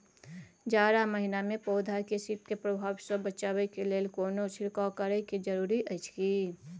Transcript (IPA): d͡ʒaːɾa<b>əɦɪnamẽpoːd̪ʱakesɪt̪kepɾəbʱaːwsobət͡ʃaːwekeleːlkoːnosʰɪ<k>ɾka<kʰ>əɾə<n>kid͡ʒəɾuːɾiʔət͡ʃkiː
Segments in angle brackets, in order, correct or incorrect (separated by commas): incorrect, incorrect, incorrect, incorrect